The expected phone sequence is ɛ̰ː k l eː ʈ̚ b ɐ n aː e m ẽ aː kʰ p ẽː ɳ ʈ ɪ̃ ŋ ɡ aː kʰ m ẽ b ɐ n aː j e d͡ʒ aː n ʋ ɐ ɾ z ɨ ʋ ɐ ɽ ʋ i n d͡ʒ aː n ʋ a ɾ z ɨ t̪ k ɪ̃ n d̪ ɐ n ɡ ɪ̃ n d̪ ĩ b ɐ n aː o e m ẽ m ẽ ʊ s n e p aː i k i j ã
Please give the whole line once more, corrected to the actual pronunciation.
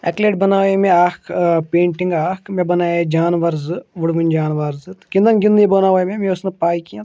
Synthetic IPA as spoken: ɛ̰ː k l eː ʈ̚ b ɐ n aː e m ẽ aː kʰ p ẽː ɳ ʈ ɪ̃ ŋ ɡ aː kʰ m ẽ b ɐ n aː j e d͡ʒ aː n ʋ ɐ ɾ z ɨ ʋ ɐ ɽ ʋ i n d͡ʒ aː n ʋ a ɾ z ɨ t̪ k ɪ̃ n d̪ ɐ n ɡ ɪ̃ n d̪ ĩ b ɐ n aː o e m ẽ m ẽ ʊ s n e p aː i k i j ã